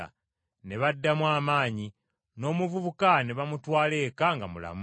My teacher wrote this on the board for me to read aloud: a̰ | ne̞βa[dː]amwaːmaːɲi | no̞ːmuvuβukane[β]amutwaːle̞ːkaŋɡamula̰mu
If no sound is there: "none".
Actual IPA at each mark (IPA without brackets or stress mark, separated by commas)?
dː, β